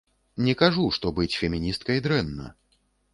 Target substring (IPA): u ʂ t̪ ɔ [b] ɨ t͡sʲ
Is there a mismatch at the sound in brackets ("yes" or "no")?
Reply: no